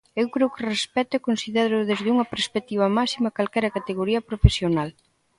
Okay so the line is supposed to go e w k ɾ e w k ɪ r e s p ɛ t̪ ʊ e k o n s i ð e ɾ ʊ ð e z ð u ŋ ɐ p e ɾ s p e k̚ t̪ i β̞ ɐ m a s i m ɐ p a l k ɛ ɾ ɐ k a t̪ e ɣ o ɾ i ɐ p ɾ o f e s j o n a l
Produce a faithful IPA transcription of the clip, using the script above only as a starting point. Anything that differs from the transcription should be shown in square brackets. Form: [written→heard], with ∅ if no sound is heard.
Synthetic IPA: e w k ɾ e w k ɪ r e s p ɛ t̪ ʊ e k o n s i ð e ɾ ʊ ð e z ð u ŋ ɐ p e ɾ s p e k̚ t̪ i β̞ ɐ m a s i m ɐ [p→k] a l k ɛ ɾ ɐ k a t̪ e ɣ o ɾ i ɐ p ɾ o f e s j o n a l